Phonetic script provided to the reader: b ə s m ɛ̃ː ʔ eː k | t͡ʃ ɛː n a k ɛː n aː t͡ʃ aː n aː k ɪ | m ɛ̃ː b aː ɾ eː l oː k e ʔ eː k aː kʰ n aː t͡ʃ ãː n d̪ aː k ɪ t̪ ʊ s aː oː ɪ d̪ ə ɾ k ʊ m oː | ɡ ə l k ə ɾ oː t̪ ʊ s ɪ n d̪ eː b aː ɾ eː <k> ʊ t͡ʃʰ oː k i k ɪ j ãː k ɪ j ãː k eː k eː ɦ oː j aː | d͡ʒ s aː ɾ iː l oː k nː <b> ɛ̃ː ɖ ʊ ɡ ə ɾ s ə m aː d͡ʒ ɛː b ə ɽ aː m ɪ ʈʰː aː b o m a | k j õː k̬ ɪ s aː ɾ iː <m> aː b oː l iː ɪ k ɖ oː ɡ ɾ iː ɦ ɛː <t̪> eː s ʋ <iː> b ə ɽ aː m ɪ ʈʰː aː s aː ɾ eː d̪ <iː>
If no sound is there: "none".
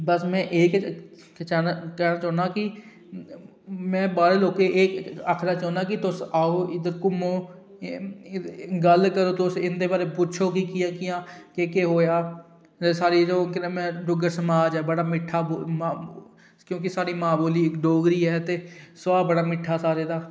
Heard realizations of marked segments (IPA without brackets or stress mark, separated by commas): p, m, m, t̪, aː, aː